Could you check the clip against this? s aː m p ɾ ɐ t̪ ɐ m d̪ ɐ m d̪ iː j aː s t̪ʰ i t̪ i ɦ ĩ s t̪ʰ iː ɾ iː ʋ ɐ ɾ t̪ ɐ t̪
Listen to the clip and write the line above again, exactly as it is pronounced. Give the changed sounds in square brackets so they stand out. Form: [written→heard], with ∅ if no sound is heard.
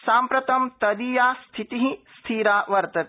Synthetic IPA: s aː m p ɾ ɐ t̪ ɐ m [d̪→t̪] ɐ [m→∅] d̪ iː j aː s t̪ʰ i t̪ i ɦ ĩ s t̪ʰ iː ɾ [iː→aː] ʋ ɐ ɾ t̪ ɐ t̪